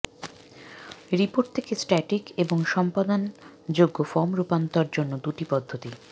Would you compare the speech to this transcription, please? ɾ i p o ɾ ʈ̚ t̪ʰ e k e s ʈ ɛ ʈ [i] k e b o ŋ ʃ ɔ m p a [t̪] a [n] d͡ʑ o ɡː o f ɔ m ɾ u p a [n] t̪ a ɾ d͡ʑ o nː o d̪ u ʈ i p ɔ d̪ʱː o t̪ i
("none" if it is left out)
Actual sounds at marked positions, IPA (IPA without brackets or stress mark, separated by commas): i, d̪, n, n